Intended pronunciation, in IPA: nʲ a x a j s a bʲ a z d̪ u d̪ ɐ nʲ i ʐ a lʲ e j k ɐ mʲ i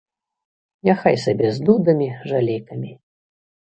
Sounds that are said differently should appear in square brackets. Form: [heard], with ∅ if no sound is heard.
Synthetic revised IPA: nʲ a x a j s a bʲ [ɛ] z d̪ u d̪ ɐ [mʲ] i ʐ a lʲ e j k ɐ mʲ i